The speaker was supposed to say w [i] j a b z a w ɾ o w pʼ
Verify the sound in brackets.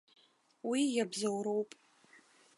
correct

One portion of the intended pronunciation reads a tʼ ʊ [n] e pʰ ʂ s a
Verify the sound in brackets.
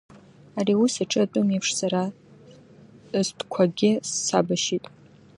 incorrect: m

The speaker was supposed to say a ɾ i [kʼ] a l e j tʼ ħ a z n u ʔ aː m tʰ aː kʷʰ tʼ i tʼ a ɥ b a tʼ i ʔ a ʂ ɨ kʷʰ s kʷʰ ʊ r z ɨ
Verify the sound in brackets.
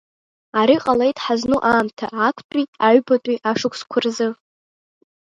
incorrect: qʼ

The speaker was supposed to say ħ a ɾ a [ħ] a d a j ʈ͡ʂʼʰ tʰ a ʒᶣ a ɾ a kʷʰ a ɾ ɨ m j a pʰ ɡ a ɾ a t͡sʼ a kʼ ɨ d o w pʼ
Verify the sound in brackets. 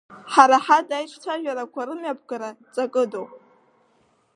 correct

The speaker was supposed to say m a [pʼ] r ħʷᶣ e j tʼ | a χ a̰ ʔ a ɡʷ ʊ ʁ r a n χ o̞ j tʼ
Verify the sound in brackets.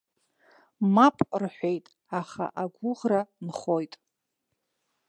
correct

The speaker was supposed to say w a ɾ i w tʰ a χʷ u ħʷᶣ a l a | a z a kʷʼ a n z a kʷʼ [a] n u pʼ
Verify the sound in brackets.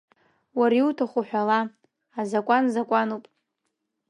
correct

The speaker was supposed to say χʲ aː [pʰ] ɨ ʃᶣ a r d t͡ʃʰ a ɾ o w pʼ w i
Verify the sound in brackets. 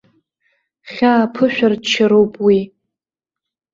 correct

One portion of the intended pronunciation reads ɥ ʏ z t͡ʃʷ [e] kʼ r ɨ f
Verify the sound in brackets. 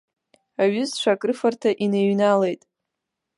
incorrect: a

